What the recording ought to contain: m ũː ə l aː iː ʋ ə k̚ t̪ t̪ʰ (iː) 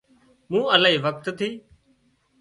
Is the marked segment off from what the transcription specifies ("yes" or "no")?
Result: no